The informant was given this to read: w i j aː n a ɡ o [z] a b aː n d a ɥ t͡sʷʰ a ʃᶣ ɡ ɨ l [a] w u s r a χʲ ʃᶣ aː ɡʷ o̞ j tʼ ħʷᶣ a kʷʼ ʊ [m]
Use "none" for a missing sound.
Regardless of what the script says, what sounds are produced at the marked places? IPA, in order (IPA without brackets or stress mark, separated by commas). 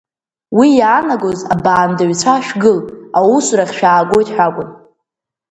z, a, n